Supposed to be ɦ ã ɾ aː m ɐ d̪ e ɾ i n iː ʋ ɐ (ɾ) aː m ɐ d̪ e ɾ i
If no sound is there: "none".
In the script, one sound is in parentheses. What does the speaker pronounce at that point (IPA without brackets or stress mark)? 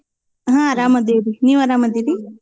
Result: ɾ